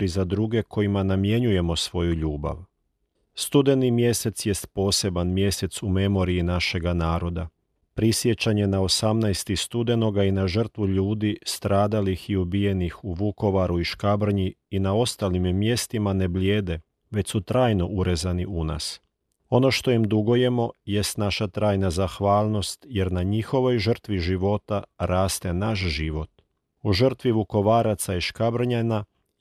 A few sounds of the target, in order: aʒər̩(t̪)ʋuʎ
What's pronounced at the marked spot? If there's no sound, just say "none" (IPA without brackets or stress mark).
t̪